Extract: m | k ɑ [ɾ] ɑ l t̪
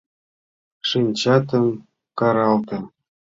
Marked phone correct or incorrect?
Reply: correct